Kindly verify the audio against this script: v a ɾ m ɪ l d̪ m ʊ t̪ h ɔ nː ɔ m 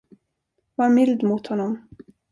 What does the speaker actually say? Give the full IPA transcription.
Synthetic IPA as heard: v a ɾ m ɪ l d̪ m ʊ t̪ h ɔ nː ɔ m